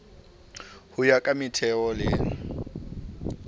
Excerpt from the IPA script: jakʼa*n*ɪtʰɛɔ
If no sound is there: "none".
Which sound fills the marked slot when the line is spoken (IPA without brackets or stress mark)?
m